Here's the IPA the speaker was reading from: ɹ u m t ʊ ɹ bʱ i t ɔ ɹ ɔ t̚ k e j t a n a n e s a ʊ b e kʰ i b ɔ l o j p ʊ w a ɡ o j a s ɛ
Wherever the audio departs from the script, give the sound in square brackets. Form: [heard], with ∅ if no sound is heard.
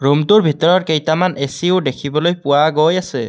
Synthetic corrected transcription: ɹ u m t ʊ ɹ bʱ i t ɔ ɹ ɔ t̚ k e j t a [m] a n e s [i] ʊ [d] e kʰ i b ɔ l o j p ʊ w a ɡ o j a s ɛ